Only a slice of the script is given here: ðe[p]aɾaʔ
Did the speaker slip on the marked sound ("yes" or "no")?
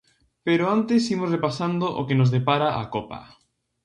no